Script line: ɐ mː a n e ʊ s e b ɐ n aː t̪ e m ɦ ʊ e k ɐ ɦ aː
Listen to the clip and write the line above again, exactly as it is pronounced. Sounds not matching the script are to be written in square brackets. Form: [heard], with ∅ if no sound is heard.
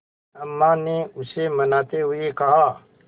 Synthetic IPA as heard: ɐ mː a n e ʊ s e [m] ɐ n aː t̪ e [∅] ɦ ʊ e k ɐ ɦ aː